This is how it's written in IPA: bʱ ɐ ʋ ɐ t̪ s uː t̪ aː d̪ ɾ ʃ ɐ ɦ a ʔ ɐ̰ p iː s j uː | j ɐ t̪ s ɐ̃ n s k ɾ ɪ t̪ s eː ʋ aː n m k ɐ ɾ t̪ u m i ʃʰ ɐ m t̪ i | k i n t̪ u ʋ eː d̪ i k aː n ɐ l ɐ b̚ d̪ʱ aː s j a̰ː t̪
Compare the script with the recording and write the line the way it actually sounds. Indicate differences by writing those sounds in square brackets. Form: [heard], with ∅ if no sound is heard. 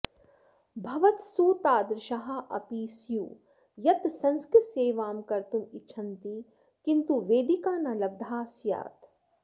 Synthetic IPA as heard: bʱ ɐ ʋ ɐ t̪ s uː t̪ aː d̪ ɾ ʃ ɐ ɦ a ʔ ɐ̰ p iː s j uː | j ɐ t̪ s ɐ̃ n s k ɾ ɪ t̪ s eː ʋ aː [∅] m k ɐ ɾ t̪ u m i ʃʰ ɐ [n] t̪ i | k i n t̪ u ʋ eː d̪ i k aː n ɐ l ɐ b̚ d̪ʱ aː s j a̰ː t̪